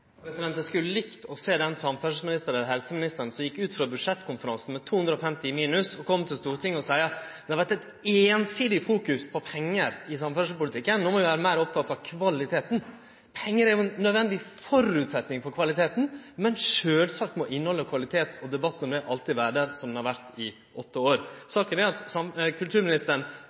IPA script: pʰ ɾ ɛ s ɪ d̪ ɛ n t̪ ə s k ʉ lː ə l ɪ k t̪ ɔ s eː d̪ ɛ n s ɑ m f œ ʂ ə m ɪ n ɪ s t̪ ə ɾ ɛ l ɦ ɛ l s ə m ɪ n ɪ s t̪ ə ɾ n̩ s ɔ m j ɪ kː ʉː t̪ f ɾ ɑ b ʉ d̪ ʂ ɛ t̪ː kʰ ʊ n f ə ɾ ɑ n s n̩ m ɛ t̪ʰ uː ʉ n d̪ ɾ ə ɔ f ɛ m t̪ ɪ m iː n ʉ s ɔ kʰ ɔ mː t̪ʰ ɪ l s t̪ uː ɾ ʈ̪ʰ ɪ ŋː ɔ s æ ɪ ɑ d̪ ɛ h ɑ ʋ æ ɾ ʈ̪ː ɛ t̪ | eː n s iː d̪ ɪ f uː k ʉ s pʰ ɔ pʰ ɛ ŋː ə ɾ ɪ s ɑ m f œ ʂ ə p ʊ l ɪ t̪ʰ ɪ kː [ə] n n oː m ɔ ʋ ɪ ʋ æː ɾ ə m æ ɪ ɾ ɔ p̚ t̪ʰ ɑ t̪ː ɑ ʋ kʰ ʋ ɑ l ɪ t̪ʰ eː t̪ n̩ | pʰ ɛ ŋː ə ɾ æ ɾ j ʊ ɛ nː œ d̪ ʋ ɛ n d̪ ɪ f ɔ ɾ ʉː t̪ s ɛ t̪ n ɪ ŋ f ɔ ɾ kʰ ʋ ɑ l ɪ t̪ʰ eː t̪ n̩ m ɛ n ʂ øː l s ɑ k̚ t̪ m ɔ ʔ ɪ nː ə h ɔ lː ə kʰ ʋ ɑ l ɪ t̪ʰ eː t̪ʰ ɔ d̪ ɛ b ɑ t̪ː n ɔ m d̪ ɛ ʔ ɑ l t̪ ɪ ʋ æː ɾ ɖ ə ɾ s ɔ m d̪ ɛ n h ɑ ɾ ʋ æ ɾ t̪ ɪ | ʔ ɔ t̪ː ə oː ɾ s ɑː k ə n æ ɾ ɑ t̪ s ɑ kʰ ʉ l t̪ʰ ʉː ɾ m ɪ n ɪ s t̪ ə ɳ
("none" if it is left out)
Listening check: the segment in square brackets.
ə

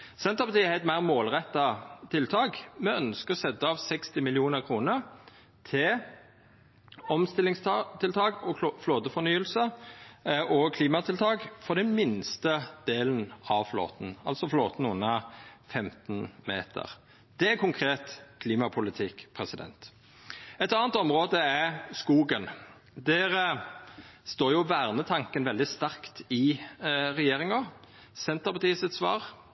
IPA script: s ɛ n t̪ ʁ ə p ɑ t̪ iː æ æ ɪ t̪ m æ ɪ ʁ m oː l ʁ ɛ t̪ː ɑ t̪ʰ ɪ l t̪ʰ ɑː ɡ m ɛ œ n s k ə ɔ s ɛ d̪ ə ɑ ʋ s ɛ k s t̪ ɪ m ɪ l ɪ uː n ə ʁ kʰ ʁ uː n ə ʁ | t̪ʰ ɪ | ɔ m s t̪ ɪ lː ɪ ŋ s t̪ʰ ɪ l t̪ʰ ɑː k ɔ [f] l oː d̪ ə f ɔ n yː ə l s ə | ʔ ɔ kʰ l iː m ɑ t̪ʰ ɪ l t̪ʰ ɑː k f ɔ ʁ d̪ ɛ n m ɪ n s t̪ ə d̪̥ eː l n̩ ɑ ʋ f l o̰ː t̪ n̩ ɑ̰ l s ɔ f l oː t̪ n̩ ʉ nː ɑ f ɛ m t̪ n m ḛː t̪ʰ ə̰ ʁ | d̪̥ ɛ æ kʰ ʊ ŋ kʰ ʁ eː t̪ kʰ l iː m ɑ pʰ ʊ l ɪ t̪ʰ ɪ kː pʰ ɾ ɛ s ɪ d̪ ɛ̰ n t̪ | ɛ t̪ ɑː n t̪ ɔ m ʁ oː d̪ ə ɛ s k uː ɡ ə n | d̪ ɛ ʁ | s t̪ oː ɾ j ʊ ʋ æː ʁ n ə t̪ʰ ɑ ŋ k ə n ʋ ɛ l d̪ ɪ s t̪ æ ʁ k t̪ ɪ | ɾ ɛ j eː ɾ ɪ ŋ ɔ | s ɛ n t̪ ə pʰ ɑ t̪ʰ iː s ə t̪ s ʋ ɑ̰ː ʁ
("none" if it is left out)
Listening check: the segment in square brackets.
f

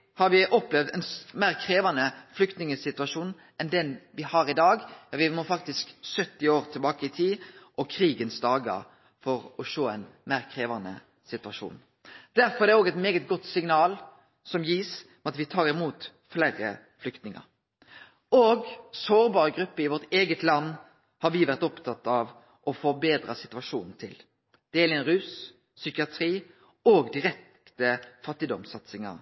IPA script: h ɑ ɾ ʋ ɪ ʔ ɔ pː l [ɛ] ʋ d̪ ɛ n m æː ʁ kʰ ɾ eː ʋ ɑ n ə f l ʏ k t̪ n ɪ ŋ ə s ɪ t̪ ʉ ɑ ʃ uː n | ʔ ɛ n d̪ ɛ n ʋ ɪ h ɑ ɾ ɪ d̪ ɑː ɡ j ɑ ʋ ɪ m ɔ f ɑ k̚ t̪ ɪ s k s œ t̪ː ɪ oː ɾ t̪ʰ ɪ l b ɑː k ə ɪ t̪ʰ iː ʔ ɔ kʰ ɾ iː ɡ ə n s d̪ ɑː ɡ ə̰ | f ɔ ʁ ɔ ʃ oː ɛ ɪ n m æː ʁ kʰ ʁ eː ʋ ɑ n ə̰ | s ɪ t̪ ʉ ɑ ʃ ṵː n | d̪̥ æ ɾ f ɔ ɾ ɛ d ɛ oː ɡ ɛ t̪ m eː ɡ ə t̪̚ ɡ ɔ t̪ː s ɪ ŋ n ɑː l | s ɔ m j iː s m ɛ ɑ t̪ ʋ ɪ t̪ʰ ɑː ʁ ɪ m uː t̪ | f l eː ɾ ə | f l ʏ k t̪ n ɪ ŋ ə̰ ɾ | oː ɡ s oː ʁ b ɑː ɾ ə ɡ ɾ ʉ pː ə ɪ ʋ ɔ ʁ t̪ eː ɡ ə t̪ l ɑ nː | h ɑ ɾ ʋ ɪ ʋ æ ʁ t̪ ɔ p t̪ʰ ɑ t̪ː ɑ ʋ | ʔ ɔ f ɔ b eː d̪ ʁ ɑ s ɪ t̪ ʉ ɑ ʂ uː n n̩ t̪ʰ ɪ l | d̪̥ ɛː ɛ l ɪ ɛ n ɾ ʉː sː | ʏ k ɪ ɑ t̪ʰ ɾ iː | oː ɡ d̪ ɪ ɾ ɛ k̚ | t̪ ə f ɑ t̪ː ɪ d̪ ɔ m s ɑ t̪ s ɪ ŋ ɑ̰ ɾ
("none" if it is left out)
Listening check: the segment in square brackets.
ɛ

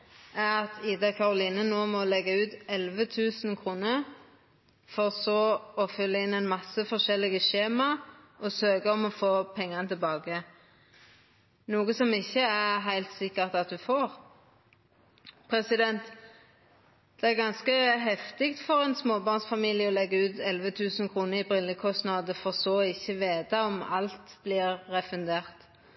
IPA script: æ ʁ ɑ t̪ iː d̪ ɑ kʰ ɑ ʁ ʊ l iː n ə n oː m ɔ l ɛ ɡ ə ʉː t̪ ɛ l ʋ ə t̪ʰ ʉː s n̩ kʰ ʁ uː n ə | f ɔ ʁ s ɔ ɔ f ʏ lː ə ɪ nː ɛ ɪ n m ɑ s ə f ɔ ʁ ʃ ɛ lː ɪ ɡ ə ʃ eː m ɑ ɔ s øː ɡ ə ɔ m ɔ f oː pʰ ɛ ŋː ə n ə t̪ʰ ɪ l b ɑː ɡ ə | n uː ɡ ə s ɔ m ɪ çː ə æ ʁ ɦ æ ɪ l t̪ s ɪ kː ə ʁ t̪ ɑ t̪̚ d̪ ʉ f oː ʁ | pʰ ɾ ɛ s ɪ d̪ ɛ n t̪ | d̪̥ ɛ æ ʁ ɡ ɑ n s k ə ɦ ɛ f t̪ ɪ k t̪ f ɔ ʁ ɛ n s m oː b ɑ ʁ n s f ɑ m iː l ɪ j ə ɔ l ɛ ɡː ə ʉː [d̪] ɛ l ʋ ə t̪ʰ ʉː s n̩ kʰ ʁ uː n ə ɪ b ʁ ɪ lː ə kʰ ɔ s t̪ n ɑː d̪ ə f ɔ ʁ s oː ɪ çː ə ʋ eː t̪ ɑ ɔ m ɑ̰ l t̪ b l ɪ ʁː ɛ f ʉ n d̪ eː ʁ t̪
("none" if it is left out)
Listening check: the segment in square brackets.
t̪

